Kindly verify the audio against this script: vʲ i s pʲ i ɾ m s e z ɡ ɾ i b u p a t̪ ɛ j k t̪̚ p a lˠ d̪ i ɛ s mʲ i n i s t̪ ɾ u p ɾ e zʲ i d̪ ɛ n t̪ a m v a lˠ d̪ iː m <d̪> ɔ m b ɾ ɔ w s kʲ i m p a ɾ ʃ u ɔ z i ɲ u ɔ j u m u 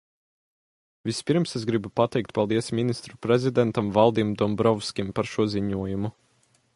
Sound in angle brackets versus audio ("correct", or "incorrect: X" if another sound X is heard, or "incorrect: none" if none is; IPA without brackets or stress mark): correct